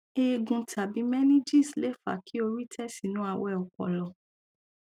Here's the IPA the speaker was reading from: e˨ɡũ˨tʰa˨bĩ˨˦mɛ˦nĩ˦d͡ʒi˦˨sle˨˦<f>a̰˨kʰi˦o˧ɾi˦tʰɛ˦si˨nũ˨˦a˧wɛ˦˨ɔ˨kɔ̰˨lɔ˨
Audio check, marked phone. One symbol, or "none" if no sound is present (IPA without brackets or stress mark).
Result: f